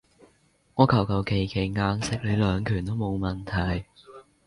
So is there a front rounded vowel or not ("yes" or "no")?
yes